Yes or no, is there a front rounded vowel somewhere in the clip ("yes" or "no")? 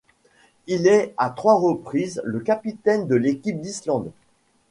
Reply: no